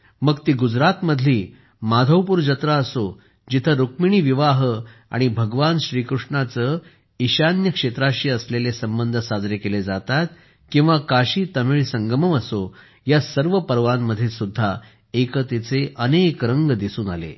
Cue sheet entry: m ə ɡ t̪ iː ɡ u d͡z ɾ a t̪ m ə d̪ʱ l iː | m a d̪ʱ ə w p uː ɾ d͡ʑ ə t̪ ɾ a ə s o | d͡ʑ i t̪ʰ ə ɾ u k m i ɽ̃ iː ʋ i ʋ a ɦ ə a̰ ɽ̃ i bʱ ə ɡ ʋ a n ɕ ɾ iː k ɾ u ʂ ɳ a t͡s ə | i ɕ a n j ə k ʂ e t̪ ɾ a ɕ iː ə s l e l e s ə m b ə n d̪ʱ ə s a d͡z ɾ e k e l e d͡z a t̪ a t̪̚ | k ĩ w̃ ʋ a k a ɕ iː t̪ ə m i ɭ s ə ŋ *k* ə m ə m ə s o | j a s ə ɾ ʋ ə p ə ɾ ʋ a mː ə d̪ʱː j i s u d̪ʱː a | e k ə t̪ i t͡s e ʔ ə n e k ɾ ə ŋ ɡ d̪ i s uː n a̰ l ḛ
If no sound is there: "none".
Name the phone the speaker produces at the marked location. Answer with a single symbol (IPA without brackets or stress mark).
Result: ɡ